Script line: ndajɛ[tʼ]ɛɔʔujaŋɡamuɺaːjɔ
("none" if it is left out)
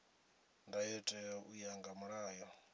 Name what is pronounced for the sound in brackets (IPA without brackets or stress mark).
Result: tʼ